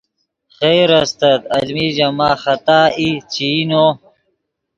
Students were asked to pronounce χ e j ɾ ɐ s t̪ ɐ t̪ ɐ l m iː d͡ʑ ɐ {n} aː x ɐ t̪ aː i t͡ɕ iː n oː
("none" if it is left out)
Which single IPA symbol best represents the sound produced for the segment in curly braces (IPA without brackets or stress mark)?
m